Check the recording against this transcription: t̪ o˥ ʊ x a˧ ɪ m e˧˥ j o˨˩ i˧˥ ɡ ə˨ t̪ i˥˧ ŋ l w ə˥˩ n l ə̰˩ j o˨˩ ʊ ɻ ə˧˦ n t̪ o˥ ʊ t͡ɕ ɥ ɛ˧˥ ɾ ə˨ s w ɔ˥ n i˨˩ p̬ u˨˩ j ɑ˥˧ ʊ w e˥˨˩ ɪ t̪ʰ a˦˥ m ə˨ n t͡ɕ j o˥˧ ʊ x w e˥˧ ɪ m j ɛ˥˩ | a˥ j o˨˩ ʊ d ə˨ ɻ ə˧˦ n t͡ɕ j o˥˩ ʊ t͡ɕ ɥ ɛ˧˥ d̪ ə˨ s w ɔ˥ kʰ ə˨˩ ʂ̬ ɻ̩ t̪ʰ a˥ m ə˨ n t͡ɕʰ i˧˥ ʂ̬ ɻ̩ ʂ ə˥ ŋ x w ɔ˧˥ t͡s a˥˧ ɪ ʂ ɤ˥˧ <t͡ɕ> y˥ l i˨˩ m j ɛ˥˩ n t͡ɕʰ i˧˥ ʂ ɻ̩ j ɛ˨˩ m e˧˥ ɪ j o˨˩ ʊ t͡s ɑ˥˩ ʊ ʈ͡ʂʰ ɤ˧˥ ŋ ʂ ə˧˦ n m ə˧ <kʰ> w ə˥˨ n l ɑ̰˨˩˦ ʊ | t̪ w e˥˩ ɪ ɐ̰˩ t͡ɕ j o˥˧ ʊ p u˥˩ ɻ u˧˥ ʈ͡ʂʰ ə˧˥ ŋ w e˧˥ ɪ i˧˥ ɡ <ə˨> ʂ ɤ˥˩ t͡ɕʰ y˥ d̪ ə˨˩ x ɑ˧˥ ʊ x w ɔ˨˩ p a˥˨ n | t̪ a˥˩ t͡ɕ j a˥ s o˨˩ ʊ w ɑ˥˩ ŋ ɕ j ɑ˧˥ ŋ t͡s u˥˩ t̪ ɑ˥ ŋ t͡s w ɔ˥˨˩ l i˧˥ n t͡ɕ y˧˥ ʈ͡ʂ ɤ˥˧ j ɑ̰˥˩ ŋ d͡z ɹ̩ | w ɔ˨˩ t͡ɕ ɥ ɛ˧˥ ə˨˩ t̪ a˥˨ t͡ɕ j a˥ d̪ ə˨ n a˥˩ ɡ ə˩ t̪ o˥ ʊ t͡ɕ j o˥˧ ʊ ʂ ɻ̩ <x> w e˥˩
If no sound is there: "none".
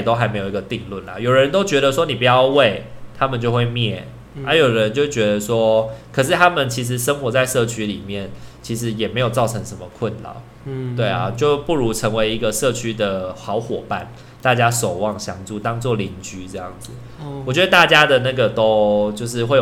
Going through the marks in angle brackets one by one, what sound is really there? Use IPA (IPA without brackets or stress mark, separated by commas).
t͡ɕʰ, kʰ, ə˨, x